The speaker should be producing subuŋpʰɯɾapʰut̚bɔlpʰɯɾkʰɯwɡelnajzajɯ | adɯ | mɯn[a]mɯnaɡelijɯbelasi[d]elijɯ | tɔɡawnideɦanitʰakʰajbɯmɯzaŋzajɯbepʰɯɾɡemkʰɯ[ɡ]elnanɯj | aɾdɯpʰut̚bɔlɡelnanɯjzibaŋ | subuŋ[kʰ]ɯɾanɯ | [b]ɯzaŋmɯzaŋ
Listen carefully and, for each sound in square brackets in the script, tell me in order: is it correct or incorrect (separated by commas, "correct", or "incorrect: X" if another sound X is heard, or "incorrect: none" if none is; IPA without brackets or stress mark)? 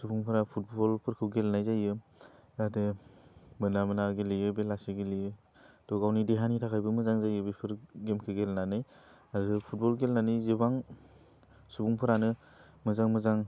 correct, incorrect: ɡ, correct, incorrect: pʰ, incorrect: m